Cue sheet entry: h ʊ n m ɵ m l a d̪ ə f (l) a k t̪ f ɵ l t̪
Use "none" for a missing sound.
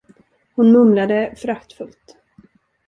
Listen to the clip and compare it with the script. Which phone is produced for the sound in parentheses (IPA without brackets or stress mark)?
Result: ɾ